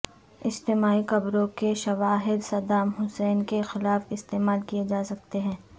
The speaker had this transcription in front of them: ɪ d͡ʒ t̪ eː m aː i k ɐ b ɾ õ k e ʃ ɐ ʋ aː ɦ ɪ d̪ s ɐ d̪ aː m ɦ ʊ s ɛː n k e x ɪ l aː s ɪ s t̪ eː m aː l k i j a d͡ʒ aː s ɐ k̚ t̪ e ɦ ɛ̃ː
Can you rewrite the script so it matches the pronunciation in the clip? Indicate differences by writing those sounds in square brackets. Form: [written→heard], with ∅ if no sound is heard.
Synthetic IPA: ɪ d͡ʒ t̪ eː m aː i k ɐ b ɾ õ k e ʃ ɐ ʋ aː ɦ ɪ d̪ s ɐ d̪ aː m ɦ ʊ s ɛː n k e x ɪ l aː [s→f] ɪ s t̪ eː m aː l k i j [a→e] d͡ʒ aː s ɐ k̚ t̪ e ɦ ɛ̃ː